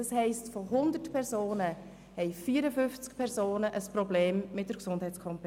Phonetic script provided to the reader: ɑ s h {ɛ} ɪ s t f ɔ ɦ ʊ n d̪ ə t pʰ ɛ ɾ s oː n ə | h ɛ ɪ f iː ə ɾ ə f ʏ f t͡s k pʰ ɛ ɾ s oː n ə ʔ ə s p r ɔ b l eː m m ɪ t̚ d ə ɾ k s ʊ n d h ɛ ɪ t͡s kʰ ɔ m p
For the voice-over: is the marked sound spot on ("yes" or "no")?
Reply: yes